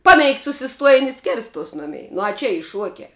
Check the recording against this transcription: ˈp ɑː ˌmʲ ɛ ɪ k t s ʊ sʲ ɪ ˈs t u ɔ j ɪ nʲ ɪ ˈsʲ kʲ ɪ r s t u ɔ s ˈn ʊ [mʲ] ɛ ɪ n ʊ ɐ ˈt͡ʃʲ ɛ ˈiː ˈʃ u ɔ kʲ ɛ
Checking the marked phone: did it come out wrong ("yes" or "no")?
no